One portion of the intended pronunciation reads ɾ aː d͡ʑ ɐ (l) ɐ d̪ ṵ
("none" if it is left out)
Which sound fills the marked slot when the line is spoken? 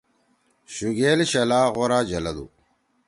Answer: l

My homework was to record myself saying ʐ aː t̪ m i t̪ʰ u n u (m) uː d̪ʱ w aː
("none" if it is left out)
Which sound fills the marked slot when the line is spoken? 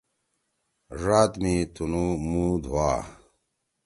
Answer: m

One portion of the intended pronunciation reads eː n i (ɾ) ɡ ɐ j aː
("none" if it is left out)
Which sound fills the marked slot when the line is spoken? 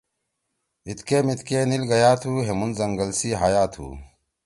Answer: l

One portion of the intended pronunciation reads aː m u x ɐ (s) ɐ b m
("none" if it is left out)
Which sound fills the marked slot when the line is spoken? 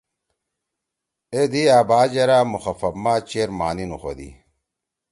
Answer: f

